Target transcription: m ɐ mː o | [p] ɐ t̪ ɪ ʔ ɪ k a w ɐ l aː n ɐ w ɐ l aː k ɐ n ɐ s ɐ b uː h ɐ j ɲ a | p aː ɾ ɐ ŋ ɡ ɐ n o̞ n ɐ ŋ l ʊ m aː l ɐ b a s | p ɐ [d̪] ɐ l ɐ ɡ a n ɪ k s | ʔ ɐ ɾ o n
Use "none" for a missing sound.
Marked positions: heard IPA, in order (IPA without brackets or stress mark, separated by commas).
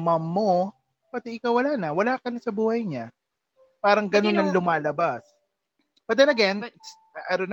p, d̪